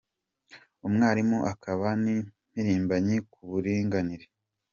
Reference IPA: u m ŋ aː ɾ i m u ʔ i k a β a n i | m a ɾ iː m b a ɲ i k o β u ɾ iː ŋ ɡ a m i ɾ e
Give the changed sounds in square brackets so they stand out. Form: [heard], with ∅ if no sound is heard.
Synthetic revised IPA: u m ŋ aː ɾ i m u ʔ [a] k a β a n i | m [i] ɾ iː m b a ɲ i k [u] β u ɾ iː ŋ ɡ a [n] i ɾ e